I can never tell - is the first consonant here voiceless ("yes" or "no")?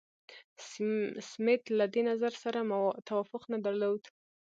yes